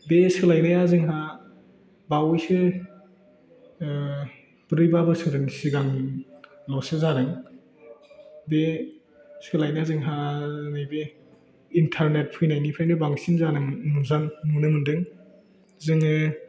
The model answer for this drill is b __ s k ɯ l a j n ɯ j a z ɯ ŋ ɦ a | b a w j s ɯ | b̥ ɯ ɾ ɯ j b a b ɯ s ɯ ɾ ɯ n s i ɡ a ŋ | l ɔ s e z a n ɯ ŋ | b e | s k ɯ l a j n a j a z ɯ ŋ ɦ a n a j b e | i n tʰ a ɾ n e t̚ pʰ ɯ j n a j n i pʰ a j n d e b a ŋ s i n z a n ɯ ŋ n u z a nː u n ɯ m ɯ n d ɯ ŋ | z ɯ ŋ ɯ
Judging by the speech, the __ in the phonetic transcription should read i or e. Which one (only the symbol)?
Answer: e